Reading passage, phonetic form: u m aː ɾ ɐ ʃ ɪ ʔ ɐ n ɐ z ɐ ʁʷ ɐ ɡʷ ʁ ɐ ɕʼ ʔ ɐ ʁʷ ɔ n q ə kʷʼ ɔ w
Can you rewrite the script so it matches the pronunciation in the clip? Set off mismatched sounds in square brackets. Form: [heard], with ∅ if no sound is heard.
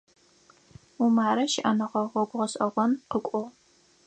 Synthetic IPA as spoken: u m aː ɾ ɐ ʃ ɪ ʔ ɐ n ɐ [ʁ] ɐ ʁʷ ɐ ɡʷ ʁ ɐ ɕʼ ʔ ɐ ʁʷ ɔ n q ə kʷʼ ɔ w